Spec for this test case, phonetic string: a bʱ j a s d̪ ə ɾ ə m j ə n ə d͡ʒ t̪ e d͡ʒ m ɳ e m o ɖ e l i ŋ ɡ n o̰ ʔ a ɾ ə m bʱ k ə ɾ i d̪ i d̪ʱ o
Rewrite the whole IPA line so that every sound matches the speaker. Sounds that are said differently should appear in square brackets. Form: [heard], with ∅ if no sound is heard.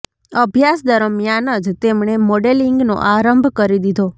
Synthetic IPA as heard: [ə] bʱ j a s d̪ ə ɾ ə m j [a] n ə d͡ʒ t̪ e [∅] m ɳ e m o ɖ e l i ŋ ɡ n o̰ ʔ a ɾ ə m bʱ k ə ɾ i d̪ i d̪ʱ o